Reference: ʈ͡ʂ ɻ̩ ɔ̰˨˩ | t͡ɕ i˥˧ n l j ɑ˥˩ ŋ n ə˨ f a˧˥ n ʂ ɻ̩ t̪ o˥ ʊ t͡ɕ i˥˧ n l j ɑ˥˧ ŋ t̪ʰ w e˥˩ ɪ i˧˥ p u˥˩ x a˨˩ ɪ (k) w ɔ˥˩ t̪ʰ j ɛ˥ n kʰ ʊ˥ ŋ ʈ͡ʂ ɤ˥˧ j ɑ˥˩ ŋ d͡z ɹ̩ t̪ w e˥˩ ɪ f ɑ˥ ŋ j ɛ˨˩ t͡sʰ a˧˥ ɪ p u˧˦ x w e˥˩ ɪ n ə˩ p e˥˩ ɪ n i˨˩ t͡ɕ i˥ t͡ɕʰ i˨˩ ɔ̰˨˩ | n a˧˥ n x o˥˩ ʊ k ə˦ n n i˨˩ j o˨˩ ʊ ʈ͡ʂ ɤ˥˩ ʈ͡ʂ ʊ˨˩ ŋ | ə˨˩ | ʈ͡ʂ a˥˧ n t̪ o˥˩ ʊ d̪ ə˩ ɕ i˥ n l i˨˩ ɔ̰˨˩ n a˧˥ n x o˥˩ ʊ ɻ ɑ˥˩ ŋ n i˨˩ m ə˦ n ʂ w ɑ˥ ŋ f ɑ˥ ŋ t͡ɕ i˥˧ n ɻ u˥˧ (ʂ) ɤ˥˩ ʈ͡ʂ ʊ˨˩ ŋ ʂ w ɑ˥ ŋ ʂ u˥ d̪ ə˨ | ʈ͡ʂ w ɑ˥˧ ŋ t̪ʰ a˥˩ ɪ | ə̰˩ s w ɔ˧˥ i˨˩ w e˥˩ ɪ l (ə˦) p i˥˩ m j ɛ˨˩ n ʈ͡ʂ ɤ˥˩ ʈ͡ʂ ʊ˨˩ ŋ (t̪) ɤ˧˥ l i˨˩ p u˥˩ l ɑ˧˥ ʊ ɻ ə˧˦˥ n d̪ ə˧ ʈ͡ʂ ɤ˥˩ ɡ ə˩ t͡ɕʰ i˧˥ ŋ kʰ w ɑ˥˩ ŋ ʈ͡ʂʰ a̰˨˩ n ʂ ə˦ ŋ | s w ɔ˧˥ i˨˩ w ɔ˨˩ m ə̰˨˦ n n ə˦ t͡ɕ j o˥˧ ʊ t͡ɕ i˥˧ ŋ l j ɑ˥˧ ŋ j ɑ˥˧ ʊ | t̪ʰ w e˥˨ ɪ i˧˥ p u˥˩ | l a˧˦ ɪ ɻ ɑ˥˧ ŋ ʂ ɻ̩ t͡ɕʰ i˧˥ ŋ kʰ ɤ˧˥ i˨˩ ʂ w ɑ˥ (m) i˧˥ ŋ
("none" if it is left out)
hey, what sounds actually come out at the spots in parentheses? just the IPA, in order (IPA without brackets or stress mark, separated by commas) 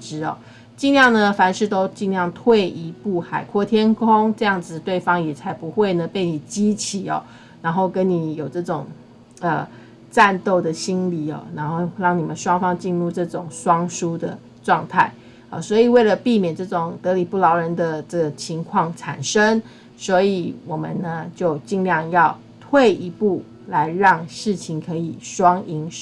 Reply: kʰ, ʈ͡ʂ, ə˩, t̪, ŋ